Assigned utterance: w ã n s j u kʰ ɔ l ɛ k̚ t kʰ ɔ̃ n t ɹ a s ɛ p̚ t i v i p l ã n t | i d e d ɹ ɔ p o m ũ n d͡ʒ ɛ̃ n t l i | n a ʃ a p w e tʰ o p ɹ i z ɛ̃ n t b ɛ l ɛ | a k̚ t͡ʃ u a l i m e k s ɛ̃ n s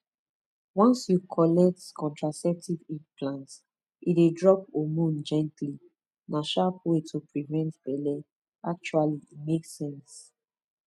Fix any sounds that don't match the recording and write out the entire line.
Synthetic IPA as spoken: w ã n s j u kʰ ɔ l ɛ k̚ t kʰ ɔ̃ n t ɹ a s ɛ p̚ t i v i p l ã n t | i d e d ɹ ɔ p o m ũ n d͡ʒ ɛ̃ n t l i | n a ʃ a p w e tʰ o p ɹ i v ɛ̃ n t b ɛ l ɛ | a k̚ t͡ʃ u a l i m e k s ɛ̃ n s